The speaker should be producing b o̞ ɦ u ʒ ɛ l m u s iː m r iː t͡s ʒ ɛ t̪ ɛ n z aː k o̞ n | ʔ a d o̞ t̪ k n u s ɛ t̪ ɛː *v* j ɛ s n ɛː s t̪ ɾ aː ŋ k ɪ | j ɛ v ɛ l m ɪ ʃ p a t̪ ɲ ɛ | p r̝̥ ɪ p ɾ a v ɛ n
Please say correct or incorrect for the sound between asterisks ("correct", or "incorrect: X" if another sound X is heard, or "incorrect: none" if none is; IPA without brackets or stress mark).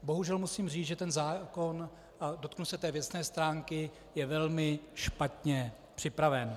correct